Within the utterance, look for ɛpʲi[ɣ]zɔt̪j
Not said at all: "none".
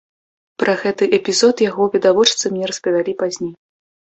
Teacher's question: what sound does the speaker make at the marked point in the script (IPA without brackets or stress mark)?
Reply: none